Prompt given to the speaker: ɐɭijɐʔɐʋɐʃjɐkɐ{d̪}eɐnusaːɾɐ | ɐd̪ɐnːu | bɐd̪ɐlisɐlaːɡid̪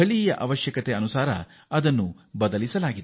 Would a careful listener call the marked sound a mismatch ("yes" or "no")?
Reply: yes